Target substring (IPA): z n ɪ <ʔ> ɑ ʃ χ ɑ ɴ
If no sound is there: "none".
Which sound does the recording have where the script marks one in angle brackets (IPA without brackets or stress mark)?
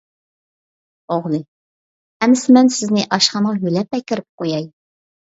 ʔ